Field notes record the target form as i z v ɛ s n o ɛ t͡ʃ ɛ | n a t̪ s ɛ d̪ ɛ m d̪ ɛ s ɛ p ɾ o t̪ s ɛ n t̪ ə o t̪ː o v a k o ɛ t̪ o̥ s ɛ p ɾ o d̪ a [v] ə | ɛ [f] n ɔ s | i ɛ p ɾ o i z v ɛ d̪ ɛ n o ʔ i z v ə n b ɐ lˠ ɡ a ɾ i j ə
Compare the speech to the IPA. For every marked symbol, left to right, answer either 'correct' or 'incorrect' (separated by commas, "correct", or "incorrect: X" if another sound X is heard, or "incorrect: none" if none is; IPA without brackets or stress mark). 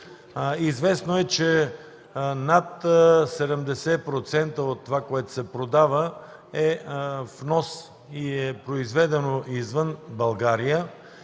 correct, correct